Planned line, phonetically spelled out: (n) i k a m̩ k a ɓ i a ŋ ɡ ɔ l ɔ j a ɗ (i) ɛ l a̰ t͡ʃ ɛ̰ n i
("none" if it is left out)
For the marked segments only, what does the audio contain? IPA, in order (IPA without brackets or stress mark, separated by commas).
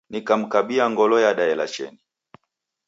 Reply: n, a